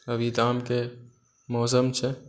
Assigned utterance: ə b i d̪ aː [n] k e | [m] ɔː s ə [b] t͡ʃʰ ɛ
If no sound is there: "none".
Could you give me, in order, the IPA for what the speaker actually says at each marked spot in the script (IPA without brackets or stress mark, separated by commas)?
m, m, m